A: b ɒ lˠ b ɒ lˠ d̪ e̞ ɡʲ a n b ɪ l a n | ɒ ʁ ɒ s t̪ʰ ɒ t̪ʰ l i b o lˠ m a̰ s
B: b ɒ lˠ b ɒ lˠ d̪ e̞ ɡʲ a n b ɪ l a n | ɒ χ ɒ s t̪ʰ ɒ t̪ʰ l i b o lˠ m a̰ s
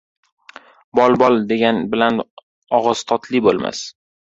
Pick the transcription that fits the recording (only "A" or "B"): A